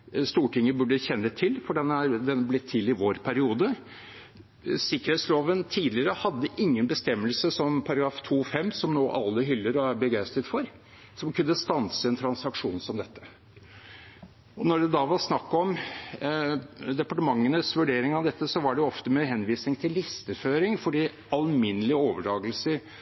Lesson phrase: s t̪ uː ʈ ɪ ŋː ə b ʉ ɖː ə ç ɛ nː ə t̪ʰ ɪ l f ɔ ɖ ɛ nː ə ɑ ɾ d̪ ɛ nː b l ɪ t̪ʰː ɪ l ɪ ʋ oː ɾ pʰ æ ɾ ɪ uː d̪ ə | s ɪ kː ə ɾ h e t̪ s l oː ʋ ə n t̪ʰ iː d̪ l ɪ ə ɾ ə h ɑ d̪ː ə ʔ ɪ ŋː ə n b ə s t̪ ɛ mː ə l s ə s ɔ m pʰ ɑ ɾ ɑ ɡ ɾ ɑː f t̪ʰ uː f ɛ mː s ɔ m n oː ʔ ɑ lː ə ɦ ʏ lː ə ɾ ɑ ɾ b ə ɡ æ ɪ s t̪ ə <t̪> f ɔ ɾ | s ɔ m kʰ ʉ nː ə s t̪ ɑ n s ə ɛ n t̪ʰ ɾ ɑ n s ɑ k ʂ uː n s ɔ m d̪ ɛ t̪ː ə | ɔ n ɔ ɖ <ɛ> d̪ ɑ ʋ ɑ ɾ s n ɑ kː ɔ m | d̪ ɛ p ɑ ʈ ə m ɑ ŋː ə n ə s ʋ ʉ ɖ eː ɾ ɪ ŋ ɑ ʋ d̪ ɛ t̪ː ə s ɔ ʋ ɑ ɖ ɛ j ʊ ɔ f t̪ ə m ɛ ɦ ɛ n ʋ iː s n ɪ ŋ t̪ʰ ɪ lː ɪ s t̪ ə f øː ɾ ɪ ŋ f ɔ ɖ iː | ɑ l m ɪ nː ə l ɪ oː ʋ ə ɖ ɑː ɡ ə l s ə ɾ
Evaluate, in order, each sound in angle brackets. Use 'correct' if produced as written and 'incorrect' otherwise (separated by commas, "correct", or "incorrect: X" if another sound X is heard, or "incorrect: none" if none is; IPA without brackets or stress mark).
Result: correct, correct